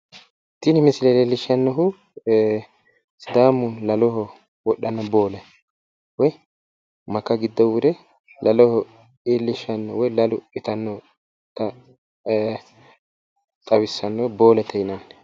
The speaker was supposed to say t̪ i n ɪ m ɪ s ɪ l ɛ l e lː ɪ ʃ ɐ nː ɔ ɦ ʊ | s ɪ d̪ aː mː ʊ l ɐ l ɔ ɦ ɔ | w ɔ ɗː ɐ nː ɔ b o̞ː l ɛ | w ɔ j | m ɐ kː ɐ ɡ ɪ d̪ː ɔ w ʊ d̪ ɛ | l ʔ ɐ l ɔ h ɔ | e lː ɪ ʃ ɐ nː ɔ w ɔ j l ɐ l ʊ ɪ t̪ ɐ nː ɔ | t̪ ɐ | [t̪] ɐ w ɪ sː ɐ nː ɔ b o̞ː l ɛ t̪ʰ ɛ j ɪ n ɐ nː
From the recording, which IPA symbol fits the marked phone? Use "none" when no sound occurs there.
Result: t̪ʼ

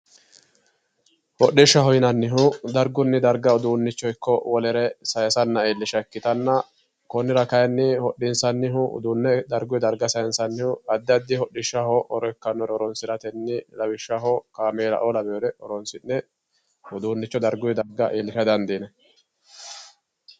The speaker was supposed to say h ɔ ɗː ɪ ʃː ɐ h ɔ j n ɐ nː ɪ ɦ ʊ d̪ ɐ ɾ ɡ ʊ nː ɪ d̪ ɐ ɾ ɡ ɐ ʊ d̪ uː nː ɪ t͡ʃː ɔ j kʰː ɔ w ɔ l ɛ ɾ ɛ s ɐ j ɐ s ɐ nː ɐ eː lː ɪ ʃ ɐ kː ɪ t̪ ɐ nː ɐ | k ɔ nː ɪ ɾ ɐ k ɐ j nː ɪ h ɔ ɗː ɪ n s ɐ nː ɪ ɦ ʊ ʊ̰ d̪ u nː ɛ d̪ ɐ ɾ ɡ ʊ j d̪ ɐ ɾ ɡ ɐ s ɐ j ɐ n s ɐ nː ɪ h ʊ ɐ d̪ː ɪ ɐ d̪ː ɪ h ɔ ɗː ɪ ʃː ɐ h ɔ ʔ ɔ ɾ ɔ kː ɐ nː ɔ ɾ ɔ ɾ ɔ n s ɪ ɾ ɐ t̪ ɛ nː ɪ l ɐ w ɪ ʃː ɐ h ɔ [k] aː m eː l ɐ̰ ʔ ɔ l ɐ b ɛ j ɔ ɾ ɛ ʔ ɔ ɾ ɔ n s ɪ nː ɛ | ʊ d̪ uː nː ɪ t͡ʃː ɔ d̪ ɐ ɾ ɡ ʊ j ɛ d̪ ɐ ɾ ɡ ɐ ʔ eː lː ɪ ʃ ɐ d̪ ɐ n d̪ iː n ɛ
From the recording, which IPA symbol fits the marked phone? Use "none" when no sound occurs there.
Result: k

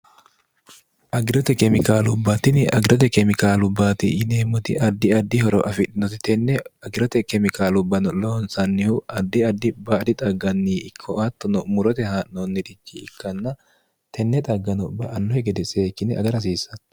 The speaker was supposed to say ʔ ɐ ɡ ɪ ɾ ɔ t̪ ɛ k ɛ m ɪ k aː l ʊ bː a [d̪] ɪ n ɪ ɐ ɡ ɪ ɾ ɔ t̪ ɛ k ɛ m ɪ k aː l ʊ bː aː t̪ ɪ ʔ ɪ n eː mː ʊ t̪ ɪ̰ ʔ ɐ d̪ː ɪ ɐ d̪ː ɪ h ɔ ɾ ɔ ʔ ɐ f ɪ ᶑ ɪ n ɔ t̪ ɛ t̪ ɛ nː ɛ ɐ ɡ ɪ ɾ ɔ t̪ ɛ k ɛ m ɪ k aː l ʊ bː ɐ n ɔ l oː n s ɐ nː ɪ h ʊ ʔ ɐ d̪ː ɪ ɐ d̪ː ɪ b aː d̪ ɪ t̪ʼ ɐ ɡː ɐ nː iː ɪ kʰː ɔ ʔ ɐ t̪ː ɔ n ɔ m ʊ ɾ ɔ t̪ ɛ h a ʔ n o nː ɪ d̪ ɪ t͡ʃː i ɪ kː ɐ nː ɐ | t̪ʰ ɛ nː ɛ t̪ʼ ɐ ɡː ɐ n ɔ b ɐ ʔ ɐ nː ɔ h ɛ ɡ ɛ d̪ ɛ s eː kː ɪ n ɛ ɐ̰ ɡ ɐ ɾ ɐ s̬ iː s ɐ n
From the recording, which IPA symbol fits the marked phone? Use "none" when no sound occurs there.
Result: t̪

